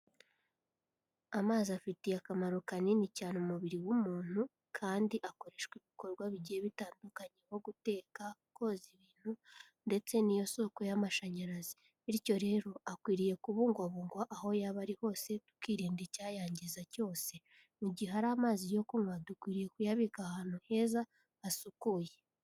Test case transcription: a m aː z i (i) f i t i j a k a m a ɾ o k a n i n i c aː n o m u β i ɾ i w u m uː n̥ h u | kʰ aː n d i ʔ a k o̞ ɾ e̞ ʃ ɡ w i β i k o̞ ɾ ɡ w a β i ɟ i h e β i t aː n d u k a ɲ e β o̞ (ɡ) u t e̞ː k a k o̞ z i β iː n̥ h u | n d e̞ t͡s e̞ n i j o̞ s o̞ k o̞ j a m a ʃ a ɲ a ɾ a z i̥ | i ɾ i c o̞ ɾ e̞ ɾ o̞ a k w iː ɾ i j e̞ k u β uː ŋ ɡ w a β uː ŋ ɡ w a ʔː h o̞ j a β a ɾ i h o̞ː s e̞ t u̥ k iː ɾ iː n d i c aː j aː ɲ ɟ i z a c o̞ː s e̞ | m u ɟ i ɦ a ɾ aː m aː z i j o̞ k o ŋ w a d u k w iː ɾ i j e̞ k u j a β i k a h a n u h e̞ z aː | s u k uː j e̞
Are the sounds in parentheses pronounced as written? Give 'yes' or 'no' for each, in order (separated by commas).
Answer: no, yes